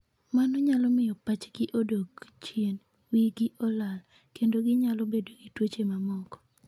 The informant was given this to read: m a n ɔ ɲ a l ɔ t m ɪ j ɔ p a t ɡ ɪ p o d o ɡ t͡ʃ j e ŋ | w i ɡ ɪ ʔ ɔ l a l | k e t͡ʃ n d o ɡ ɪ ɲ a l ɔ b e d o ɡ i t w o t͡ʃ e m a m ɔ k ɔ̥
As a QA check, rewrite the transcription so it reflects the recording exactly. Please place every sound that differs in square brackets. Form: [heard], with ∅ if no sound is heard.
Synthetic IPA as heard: m a n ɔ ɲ a l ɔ [∅] m ɪ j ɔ p a [t͡ʃ] ɡ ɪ [ʔ] o d o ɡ t͡ʃ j e [n] | w i ɡ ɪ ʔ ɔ l a l | k e [∅] n d o ɡ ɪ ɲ a l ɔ b e d o ɡ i t w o t͡ʃ e m a m ɔ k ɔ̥